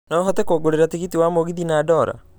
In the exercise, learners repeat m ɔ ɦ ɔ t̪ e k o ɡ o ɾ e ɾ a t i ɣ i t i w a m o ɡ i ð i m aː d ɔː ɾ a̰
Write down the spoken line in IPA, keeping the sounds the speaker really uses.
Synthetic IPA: n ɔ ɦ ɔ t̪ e k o ɡ o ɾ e ɾ a t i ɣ i t i w a m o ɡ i ð i n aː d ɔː ɾ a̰